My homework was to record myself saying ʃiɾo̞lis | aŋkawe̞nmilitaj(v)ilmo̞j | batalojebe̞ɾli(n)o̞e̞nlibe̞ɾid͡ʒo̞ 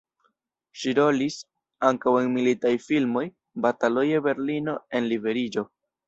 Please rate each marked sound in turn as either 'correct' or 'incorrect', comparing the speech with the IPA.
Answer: incorrect: f, correct

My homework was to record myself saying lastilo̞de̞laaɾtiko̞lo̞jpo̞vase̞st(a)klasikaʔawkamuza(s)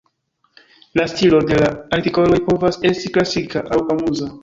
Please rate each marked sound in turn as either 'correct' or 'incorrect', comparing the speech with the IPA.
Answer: incorrect: i, incorrect: none

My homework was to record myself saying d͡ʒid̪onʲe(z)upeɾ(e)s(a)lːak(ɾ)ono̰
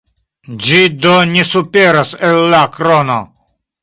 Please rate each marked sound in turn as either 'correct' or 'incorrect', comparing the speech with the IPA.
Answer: incorrect: s, incorrect: a, incorrect: e, correct

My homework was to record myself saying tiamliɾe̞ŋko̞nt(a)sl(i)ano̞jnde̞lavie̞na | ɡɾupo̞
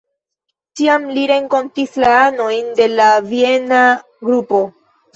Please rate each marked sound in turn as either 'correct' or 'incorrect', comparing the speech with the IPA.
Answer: incorrect: i, incorrect: a

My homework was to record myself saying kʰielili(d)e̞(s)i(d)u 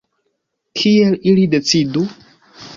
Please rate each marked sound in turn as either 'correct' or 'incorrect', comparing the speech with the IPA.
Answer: correct, incorrect: t͡s, correct

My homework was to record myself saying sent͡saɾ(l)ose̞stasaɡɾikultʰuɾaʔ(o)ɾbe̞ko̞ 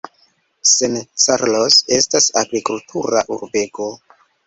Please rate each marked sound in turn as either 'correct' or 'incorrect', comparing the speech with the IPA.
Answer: correct, incorrect: u

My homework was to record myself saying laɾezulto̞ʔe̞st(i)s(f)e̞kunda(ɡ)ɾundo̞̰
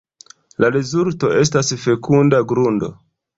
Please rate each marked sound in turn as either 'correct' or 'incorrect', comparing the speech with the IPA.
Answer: incorrect: a, correct, correct

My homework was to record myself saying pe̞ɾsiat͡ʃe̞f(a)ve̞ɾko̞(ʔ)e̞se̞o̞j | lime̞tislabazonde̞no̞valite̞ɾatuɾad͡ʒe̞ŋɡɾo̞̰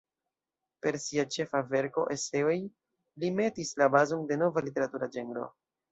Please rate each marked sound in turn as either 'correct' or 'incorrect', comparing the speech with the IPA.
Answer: correct, correct

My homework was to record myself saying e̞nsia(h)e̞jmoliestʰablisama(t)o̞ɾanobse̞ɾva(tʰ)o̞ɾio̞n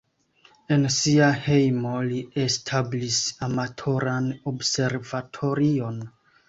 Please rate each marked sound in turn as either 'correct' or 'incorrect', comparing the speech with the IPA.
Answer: correct, incorrect: tʰ, correct

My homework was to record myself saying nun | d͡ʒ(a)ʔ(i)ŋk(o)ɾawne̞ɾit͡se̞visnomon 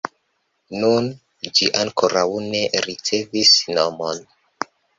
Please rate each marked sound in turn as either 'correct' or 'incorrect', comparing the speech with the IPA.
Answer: incorrect: i, incorrect: a, correct

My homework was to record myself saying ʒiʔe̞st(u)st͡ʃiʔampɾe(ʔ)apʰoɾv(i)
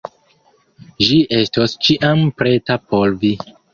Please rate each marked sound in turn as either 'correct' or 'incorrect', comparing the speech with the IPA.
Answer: incorrect: o, incorrect: t, correct

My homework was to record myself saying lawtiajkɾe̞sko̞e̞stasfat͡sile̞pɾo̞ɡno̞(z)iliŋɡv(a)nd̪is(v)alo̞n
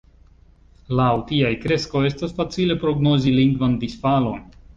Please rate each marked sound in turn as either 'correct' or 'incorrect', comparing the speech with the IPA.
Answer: correct, correct, incorrect: f

